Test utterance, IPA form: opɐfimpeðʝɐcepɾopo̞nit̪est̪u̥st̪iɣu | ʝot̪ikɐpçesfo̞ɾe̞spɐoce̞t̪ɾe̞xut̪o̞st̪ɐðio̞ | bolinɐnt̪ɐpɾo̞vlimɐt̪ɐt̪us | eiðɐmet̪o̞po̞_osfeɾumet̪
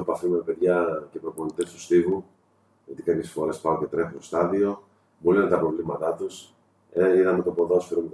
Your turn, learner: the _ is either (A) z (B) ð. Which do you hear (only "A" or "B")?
B